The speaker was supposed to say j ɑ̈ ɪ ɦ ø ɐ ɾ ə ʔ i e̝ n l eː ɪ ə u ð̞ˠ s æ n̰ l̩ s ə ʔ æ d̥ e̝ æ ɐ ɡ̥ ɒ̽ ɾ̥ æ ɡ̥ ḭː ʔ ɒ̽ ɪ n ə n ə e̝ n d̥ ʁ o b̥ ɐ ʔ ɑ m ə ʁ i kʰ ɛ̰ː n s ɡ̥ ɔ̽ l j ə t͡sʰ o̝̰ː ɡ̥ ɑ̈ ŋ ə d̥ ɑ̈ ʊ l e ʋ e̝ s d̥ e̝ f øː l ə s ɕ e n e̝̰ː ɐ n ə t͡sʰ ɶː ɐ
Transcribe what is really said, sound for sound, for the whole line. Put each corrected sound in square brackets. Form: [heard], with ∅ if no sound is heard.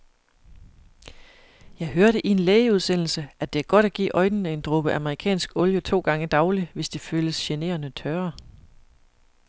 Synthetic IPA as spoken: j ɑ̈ ɪ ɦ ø ɐ ɾ ə ʔ i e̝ n l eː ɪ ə u ð̞ˠ s [e] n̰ l̩ s ə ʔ æ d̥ e̝ æ ɐ ɡ̥ ɒ̽ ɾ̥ æ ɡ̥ ḭː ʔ ɒ̽ ɪ n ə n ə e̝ n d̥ ʁ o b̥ [ə] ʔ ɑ m ə ʁ i kʰ ɛ̰ː n s ɡ̥ ɔ̽ l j ə t͡sʰ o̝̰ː ɡ̥ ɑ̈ ŋ ə d̥ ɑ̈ ʊ l [i] ʋ e̝ s d̥ e̝ f øː l ə s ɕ e n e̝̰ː ɐ n ə t͡sʰ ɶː ɐ